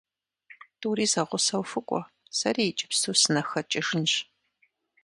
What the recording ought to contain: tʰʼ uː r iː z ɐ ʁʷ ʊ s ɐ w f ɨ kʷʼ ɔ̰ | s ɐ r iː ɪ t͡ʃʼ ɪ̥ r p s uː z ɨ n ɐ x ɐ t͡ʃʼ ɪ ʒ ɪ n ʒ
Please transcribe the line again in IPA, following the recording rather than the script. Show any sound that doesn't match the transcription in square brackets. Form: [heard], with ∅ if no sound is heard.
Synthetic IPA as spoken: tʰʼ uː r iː z ɐ ʁʷ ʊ s ɐ w f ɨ kʷʼ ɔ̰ | s ɐ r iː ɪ t͡ʃʼ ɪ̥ [∅] p s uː [s] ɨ n ɐ x ɐ t͡ʃʼ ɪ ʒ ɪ n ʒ